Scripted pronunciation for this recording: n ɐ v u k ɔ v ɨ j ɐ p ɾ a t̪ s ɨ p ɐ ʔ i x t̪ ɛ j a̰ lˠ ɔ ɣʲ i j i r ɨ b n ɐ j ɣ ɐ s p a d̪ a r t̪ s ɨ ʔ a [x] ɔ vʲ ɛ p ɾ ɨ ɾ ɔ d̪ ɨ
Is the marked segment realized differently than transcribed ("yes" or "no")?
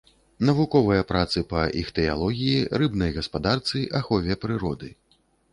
no